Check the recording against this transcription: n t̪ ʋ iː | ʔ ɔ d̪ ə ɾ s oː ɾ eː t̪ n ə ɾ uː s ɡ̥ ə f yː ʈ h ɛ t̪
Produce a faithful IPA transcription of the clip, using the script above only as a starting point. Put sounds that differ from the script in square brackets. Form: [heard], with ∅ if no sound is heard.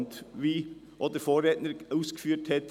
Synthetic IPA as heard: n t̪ ʋ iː | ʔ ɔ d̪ ə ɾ [f] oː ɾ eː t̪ n ə ɾ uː s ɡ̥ ə f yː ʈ h ɛ t̪